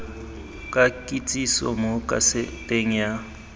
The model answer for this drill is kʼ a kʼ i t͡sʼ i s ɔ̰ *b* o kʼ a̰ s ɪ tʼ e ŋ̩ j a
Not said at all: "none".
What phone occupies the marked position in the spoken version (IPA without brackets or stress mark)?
m